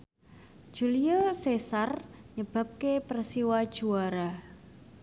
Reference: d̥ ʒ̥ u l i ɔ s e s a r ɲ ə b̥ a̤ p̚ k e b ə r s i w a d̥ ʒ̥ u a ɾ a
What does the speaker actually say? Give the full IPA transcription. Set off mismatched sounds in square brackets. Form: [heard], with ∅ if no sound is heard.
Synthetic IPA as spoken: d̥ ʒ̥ u l i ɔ s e s a r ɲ ə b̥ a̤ p̚ k e [p] ə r s i w a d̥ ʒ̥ u a ɾ a